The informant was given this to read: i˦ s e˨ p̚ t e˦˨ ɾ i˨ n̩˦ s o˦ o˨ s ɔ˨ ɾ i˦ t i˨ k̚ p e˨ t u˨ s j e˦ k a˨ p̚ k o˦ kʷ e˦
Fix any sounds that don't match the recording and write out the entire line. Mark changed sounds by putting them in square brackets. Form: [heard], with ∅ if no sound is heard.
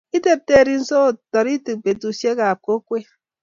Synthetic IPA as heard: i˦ [t] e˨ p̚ t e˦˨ ɾ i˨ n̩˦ s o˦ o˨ [t] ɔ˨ ɾ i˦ t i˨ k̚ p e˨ t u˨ s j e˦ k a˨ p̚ k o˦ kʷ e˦